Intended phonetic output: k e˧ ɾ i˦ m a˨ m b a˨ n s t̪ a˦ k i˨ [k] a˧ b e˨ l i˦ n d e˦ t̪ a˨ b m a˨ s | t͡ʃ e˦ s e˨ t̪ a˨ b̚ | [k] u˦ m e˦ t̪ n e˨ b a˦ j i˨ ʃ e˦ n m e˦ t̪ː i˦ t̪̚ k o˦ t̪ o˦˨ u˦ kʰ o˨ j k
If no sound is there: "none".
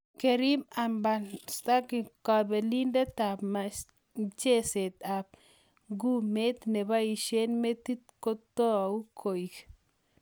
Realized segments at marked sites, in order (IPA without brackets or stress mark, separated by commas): k, ɡ